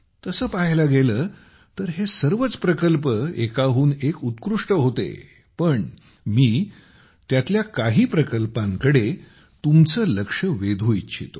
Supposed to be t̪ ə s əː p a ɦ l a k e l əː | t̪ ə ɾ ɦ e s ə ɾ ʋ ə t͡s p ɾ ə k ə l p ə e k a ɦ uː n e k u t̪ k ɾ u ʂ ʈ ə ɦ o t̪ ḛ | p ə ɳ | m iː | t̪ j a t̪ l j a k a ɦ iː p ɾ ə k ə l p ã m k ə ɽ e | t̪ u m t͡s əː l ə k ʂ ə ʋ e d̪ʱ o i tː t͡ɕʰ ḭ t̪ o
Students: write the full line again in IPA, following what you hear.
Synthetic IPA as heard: t̪ ə s əː p a ɦ l a ɡ e l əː | t̪ ə ɾ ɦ e s ə ɾ ʋ ə t͡s p ɾ ə k ə l p ə e k a ɦ uː n e k u t̪ k ɾ u ʂ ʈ ə ɦ o t̪ ḛ | p ə ɳ | m iː | t̪ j a t̪ l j a k a ɦ iː p ɾ ə k ə l p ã ŋ k ə ɽ e | t̪ u m t͡s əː l ə k ʂ ə ʋ e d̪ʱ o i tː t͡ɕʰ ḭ t̪ o